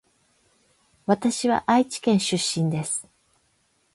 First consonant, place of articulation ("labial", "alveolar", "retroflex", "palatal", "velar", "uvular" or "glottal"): labial